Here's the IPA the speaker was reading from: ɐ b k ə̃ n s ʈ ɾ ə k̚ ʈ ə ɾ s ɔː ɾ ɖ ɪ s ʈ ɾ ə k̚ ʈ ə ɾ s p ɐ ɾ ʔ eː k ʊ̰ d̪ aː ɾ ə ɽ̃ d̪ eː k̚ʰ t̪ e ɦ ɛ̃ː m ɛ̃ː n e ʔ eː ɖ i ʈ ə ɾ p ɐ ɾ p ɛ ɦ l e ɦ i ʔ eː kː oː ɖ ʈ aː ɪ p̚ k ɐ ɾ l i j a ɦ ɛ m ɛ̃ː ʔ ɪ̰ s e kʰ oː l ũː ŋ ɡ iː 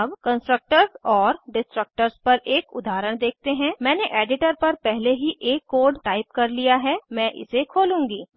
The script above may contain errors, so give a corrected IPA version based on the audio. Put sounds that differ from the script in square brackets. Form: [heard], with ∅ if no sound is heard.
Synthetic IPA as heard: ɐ b k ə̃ n s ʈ ɾ ə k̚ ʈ ə ɾ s ɔː ɾ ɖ ɪ s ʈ ɾ ə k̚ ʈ ə ɾ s p ɐ ɾ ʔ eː k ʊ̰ d̪ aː ɾ ə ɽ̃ d̪ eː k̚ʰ t̪ e ɦ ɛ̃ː m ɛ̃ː n e ʔ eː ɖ [ɪ] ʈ ə ɾ p ɐ ɾ p ɛ ɦ l e ɦ i ʔ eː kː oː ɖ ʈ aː ɪ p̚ k ɐ ɾ l i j a ɦ ɛ m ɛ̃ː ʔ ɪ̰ s e kʰ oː l ũː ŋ ɡ iː